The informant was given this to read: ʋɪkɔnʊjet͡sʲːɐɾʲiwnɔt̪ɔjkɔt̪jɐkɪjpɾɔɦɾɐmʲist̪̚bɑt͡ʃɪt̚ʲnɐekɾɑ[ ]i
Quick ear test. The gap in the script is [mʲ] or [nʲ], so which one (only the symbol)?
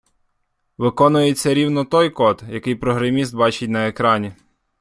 nʲ